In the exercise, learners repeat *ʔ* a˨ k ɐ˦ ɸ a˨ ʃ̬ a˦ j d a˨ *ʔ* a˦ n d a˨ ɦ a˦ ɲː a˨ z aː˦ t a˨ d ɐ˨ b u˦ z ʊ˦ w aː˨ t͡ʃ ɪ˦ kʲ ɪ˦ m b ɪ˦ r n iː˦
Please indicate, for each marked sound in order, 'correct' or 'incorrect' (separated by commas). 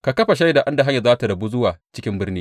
incorrect, correct